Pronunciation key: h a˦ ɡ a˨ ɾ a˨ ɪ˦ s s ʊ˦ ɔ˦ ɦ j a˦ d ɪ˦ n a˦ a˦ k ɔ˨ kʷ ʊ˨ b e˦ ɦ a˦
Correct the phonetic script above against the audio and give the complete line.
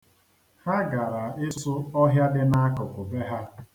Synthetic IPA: h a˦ ɡ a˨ ɾ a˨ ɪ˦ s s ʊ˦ ɔ˦ ɦ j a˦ d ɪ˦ n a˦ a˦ k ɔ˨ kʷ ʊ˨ b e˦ ɦ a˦

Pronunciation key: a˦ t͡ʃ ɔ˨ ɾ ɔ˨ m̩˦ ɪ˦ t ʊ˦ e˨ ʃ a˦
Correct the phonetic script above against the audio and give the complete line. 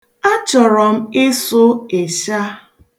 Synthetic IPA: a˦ t͡ʃ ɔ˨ ɾ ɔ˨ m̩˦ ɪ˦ s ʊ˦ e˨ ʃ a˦

